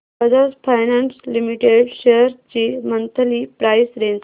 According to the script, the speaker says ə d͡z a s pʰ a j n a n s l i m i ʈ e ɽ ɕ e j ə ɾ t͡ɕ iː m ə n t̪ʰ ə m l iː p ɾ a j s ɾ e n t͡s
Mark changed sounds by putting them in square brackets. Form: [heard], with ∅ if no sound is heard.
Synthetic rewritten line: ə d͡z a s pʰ a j n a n s l i m i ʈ e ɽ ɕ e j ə ɾ t͡ɕ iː m ə n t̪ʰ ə [∅] l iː p ɾ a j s ɾ e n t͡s